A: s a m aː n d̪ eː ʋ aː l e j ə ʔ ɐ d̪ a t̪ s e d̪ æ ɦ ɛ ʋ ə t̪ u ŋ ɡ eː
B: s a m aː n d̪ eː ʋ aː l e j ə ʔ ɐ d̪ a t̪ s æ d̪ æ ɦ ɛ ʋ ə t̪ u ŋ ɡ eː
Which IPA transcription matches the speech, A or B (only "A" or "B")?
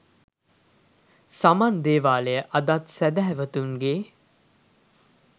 B